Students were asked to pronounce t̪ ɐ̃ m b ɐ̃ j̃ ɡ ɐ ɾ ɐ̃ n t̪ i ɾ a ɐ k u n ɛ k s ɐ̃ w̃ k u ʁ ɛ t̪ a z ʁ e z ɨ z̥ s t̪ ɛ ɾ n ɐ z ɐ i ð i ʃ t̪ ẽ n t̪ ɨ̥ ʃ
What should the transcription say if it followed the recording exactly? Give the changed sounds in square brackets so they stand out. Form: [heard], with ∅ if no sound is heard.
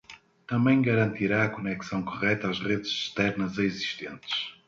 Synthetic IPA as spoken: t̪ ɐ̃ m b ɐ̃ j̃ ɡ ɐ ɾ ɐ̃ n t̪ i ɾ a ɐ k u n ɛ k s ɐ̃ w̃ k u ʁ ɛ t̪ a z ʁ e [ð] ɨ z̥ [ʃ] t̪ ɛ ɾ n ɐ z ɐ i [z] i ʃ t̪ ẽ n t̪ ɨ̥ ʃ